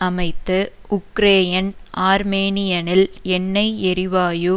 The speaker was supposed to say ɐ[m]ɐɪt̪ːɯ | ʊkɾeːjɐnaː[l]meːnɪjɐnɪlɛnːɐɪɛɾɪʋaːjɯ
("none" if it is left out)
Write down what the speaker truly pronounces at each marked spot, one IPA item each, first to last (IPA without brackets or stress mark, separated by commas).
m, ɾ